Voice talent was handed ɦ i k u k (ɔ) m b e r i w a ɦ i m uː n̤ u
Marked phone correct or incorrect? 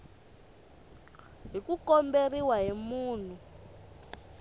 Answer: correct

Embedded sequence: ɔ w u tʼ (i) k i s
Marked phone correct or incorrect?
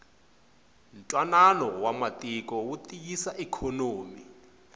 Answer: correct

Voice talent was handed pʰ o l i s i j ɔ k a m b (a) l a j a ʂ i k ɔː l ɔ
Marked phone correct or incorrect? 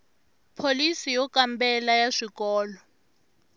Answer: incorrect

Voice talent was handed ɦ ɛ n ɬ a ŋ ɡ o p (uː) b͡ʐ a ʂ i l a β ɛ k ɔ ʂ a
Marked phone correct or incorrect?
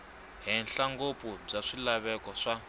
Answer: incorrect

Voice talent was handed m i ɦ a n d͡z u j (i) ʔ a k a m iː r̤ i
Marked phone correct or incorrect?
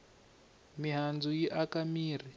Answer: correct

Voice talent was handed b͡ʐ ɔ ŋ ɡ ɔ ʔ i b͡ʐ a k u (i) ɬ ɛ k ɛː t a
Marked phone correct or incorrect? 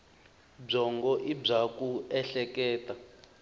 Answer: incorrect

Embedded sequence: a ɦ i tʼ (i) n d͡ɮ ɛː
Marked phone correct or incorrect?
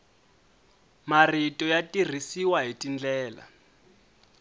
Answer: correct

